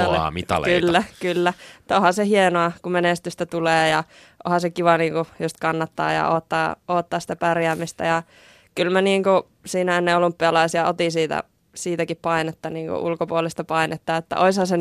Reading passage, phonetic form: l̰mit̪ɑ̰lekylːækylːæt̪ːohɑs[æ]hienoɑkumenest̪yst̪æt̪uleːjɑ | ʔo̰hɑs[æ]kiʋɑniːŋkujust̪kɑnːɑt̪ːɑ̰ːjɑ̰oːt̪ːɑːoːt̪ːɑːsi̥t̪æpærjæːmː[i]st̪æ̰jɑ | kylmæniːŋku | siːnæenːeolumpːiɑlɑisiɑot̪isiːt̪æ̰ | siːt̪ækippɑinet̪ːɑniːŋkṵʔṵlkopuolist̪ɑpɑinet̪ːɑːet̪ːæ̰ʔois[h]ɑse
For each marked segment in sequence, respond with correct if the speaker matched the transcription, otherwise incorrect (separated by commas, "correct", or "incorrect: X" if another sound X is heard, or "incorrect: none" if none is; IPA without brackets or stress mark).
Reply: incorrect: e, incorrect: e, correct, correct